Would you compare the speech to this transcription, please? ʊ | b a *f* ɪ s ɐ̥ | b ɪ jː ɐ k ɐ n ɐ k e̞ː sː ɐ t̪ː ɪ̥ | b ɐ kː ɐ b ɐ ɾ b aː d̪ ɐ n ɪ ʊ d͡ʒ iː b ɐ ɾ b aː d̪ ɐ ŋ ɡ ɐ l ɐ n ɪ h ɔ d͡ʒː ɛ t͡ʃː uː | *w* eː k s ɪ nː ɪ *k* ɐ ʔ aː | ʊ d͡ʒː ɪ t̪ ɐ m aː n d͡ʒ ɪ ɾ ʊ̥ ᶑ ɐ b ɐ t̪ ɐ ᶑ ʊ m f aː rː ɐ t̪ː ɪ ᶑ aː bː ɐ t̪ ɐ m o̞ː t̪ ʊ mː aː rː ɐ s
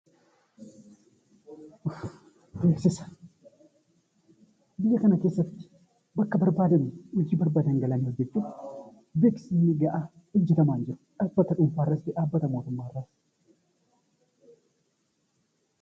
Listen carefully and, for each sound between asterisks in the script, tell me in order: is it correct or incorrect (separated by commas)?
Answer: incorrect, incorrect, incorrect